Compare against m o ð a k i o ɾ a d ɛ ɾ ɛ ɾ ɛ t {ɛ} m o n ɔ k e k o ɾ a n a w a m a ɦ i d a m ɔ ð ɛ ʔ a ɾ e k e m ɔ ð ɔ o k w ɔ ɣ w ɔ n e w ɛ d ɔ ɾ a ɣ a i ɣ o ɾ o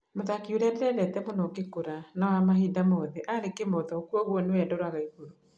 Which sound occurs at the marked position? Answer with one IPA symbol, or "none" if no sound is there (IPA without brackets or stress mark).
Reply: ɛ